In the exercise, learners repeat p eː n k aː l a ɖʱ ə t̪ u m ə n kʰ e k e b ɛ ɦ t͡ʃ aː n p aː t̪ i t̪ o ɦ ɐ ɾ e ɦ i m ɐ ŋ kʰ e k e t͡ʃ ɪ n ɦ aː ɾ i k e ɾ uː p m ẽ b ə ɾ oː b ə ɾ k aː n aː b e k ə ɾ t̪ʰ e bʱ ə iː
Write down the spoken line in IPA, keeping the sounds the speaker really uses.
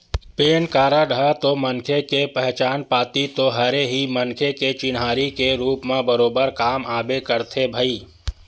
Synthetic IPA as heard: p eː n k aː ɾ a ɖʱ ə t̪ o m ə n kʰ e k e p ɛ ɦ t͡ʃ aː n p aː t̪ i t̪ o ɦ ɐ ɾ e ɦ i m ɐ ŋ kʰ e k e t͡ʃ ɪ n ɦ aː ɾ i k e ɾ uː p m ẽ b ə ɾ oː b ə ɾ k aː m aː b e k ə ɾ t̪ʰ e bʱ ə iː

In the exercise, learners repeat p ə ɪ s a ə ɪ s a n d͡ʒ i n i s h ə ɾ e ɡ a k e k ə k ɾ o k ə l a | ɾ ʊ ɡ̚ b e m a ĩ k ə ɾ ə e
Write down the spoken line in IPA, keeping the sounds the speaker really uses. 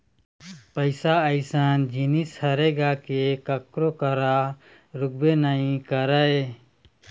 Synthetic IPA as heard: p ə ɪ s a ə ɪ s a n d͡ʒ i n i s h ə ɾ e ɡ a k e k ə k ɾ o k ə ɾ a | ɾ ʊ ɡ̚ b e n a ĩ k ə ɾ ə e

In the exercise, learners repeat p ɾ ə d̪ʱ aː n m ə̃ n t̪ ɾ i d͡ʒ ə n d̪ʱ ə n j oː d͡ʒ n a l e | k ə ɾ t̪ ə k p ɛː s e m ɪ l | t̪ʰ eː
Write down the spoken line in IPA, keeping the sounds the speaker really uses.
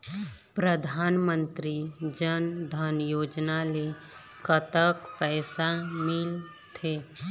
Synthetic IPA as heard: p ɾ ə d̪ʱ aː n m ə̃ n t̪ ɾ i d͡ʒ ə n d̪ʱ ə n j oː d͡ʒ n a l e | k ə t̪ ə k p ɛː s a m ɪ l | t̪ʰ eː

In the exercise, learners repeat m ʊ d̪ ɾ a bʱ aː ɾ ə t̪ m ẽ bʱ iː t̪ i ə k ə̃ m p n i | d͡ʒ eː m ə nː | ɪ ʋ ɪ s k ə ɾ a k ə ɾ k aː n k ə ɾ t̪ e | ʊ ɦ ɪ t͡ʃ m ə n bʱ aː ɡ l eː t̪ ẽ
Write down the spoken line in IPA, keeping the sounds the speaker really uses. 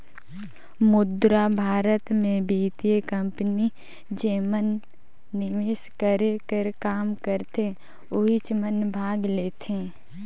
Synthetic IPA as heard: m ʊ d̪ ɾ a bʱ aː ɾ ə t̪ m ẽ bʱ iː t̪ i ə k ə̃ m p n i | d͡ʒ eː m ə nː | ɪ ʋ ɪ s k ə ɾ e k ə ɾ k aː m k ə ɾ t̪ e | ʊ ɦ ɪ t͡ʃ m ə n bʱ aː ɡ l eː t̪ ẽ

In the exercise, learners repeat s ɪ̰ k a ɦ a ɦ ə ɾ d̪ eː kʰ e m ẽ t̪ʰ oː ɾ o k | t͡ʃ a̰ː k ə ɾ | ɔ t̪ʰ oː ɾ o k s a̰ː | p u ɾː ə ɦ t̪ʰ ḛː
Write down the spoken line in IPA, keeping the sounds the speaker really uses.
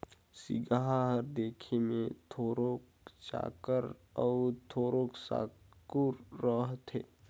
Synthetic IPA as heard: s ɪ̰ ɡ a ɦ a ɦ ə ɾ d̪ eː kʰ e m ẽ t̪ʰ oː ɾ o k | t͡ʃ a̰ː k ə ɾ | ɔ t̪ʰ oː ɾ o k s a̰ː | k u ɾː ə ɦ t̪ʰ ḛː

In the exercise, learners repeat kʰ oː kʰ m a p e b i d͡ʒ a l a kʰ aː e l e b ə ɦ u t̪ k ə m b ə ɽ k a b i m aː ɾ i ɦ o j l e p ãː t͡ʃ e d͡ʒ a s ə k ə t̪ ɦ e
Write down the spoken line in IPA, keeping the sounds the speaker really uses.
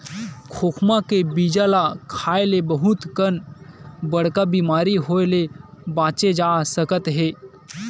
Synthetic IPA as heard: kʰ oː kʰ m a k e b i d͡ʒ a l a kʰ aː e l e b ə ɦ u t̪ k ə n b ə ɽ k a b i m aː ɾ i ɦ o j l e b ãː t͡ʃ e d͡ʒ a s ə k ə t̪ ɦ e

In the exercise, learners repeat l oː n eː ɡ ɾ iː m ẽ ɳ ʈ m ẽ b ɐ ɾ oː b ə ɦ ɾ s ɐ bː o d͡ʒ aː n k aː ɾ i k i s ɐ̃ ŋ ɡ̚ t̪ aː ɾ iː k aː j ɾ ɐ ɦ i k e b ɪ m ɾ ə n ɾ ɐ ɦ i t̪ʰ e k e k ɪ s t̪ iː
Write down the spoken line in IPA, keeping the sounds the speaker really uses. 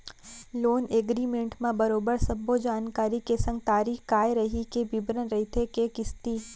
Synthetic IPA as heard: l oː n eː ɡ ɾ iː m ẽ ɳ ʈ m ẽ b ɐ ɾ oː b ə ɾ s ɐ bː o d͡ʒ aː n k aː ɾ i k e s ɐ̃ ŋ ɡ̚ t̪ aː ɾ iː k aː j ɾ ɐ ɦ i k e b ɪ b ɾ ə n ɾ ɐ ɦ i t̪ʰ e k e k ɪ s t̪ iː

